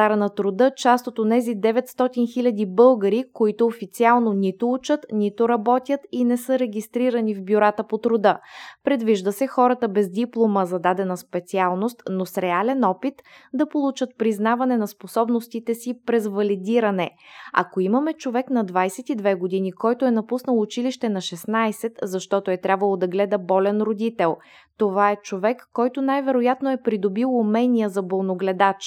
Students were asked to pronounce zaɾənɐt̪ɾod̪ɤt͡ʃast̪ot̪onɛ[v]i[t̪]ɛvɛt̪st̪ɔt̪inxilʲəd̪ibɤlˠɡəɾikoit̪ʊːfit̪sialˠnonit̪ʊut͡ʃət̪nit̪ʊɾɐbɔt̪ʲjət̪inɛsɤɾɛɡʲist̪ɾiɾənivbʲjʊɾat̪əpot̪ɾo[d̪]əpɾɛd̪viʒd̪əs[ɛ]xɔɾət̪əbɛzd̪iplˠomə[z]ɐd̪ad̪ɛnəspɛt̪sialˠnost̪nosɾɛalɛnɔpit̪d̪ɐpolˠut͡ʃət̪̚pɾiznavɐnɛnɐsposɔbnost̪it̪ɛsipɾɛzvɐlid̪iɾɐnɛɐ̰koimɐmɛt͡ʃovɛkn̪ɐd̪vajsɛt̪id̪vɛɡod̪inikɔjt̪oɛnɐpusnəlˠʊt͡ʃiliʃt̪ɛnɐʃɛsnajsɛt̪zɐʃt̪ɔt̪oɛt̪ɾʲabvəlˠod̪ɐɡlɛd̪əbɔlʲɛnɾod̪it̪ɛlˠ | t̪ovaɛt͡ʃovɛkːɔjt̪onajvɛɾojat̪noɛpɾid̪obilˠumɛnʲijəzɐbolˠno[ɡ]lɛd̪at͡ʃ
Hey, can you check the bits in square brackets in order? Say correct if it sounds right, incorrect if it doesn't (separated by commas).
incorrect, incorrect, correct, correct, correct, correct